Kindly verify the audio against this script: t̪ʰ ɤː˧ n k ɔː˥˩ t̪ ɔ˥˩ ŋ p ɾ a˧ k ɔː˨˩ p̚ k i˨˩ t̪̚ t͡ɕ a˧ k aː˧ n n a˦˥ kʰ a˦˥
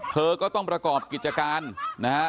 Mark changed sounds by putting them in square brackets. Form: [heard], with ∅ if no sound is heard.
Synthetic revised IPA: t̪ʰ ɤː˧ [∅] k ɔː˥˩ t̪ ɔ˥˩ ŋ p ɾ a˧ k ɔː˨˩ p̚ k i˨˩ t̪̚ t͡ɕ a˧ k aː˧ n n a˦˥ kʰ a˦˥